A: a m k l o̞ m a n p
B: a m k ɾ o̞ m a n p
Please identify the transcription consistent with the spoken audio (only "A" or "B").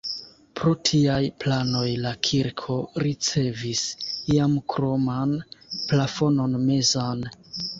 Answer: B